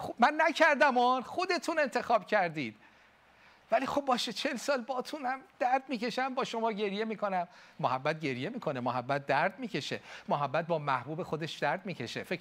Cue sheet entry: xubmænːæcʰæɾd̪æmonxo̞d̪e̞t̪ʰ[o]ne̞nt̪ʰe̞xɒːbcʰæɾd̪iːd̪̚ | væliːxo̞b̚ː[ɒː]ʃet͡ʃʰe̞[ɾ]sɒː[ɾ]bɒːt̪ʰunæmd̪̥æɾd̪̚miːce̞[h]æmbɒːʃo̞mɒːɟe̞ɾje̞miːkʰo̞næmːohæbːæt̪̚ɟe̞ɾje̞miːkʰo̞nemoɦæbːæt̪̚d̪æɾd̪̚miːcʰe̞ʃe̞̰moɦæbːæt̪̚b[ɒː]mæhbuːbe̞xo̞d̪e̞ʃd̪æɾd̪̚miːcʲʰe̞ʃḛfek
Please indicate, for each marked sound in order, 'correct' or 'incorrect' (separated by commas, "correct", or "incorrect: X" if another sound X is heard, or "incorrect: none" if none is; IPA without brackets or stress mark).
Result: incorrect: u, correct, incorrect: l, incorrect: l, incorrect: ʃ, correct